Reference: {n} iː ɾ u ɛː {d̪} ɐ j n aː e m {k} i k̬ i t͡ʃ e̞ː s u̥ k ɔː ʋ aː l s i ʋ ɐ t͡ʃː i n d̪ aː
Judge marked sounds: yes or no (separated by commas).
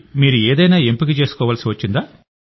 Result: no, yes, no